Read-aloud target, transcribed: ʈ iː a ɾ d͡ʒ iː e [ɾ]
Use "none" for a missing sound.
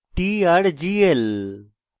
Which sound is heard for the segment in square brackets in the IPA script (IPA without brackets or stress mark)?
l